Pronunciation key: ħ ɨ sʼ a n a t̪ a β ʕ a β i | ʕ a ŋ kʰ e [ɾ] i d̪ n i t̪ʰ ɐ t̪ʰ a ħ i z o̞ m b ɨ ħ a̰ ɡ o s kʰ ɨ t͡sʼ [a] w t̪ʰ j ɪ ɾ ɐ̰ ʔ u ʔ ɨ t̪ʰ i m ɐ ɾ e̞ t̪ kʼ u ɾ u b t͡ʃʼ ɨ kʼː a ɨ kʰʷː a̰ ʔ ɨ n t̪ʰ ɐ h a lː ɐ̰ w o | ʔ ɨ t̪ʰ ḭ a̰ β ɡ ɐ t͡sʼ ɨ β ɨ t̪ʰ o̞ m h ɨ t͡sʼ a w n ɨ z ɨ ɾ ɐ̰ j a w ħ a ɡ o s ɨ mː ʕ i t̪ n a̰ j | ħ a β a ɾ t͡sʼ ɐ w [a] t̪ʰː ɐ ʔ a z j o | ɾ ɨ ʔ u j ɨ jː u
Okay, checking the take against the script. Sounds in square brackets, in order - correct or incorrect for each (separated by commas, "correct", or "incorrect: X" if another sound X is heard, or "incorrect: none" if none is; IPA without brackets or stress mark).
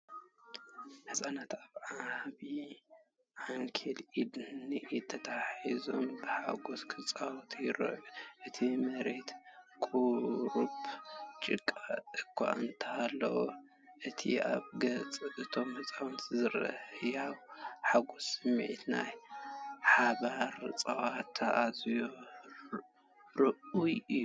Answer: incorrect: l, correct, correct